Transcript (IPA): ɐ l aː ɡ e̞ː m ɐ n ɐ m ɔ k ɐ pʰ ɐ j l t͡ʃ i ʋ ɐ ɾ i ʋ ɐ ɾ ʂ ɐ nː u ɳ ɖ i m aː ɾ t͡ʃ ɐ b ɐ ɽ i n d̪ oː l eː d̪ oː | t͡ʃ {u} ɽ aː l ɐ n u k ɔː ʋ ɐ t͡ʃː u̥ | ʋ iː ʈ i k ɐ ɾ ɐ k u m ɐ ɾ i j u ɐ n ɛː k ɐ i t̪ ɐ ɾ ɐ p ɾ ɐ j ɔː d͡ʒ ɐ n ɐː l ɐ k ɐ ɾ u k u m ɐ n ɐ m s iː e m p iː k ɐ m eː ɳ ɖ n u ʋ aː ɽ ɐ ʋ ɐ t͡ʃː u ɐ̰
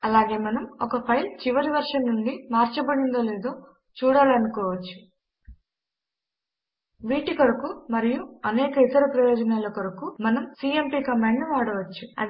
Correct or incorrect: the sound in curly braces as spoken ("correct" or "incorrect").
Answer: incorrect